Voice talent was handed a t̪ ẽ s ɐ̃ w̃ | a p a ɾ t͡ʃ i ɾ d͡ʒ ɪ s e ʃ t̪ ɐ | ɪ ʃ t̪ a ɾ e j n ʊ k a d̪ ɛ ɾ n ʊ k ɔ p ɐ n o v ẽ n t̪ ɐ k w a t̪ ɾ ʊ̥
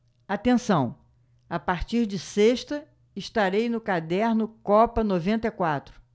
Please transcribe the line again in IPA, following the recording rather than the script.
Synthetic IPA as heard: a t̪ ẽ s ɐ̃ w̃ | a p a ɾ t͡ʃ i ɾ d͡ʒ ɪ s e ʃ t̪ ɐ | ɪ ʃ t̪ a ɾ e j n ʊ k a d̪ ɛ ɾ n ʊ k ɔ p ɐ n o v ẽ n t̪ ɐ k w a t̪ ɾ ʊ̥